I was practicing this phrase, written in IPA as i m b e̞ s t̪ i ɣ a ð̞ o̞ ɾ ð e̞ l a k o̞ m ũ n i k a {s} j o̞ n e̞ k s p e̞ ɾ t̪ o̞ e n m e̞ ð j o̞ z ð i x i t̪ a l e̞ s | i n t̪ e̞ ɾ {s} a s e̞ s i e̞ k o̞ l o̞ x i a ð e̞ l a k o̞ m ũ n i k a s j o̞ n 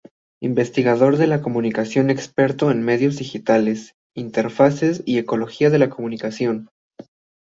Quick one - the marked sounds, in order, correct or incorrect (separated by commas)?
correct, incorrect